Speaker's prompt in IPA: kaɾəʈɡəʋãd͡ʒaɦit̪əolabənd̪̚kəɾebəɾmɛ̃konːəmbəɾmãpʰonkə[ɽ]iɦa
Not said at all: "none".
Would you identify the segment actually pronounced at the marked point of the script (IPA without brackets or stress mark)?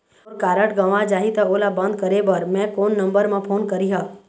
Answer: ɾ